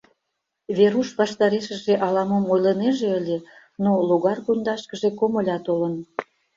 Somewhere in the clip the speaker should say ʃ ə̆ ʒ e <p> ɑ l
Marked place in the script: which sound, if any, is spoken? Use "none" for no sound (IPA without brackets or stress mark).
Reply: ʔ